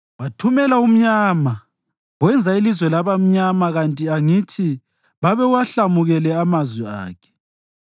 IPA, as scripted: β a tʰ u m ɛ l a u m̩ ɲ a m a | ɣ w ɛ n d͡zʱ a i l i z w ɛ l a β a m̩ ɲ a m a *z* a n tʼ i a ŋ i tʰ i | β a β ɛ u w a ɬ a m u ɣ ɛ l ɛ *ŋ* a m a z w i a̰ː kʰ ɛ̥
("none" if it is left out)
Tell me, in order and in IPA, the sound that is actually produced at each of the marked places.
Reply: ɣ, none

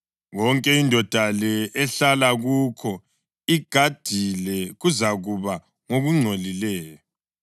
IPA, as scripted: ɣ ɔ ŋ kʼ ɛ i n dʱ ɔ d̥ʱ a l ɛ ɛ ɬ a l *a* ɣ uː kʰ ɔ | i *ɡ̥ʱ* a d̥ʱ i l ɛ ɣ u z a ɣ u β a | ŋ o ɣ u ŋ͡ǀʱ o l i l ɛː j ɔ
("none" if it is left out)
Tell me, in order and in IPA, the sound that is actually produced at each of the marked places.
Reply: a, ɡ̥ʱ

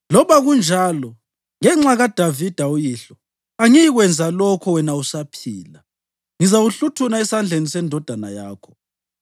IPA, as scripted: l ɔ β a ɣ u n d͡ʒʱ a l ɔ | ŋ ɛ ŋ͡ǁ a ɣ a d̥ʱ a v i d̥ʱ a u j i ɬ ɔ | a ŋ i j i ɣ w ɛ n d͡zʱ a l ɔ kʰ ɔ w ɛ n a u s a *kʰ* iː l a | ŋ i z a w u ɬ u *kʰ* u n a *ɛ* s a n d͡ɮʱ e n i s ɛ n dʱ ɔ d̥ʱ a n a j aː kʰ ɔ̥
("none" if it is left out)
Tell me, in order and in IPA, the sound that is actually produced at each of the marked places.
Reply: pʰ, tʰ, ɛ

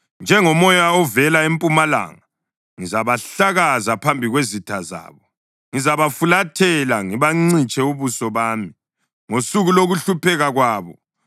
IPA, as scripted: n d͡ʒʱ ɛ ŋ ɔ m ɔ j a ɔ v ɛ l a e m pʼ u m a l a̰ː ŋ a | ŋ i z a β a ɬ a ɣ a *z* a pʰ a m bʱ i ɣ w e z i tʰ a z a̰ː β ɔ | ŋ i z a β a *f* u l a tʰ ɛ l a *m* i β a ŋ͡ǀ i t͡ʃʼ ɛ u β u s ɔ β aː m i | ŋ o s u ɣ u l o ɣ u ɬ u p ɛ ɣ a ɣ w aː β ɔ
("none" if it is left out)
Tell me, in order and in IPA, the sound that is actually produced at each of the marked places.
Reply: z, f, ŋ

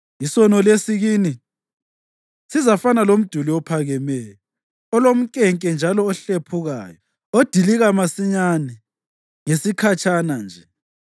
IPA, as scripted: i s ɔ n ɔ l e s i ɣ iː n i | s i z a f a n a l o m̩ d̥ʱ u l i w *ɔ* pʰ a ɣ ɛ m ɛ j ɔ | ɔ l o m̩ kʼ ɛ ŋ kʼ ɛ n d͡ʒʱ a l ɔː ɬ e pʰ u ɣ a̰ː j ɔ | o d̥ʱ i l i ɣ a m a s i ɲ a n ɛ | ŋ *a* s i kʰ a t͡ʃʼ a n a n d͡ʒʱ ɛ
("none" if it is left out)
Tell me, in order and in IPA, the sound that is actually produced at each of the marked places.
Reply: ɔ, e

